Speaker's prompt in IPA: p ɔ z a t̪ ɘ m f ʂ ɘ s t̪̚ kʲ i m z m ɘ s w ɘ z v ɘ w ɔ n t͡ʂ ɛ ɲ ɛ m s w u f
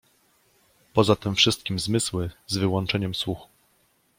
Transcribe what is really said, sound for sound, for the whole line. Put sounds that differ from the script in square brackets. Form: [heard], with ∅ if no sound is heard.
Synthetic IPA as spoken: p ɔ z a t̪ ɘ m f ʂ ɘ s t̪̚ kʲ i m z m ɘ s w ɘ z v ɘ w ɔ n t͡ʂ ɛ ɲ ɛ m s w u [x]